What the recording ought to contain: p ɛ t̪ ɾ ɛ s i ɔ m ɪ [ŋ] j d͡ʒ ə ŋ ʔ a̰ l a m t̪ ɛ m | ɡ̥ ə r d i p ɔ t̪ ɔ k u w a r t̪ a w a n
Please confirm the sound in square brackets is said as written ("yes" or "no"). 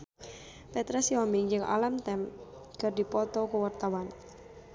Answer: yes